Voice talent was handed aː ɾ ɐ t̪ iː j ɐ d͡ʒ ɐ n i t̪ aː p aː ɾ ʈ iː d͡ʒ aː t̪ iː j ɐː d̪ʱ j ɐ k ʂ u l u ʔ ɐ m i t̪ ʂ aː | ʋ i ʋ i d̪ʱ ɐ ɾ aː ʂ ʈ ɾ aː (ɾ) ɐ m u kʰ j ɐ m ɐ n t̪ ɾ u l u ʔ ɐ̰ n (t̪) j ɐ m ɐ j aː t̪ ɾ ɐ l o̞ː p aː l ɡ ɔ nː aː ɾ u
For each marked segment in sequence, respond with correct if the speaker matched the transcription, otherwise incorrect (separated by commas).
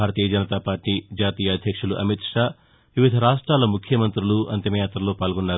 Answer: incorrect, correct